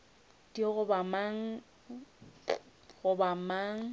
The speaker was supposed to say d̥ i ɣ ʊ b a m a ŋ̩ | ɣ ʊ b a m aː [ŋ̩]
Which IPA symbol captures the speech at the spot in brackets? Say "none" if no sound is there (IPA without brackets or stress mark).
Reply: ŋ̩